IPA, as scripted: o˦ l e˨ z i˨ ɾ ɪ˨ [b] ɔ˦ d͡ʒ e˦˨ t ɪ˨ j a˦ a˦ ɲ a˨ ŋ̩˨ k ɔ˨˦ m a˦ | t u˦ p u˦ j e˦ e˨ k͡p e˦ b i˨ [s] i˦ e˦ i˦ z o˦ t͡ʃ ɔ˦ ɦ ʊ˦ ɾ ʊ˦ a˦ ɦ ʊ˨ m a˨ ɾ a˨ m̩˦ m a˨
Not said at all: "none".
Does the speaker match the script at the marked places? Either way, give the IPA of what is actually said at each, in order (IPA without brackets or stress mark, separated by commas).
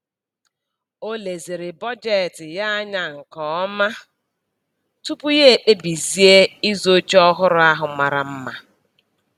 b, z